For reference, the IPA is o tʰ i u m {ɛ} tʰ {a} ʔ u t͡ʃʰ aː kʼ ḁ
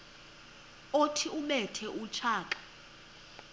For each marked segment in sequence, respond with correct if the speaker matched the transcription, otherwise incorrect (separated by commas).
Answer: correct, incorrect